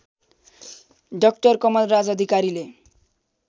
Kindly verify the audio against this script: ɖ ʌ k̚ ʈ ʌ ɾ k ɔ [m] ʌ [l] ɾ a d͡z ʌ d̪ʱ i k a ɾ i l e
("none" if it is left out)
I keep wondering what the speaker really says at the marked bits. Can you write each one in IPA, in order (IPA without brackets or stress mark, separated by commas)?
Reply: m, l